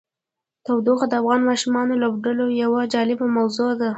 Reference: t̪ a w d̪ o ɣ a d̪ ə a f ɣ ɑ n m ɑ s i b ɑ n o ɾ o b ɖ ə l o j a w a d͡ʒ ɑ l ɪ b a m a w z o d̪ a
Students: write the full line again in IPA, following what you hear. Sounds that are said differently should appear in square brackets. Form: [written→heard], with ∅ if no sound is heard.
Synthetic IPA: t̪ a w d̪ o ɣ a d̪ ə a f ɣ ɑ n m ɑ [s→ʃ] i [b→m] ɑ n o [ɾ→l] o b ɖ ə l o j a w a d͡ʒ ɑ l ɪ b a m a w z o d̪ a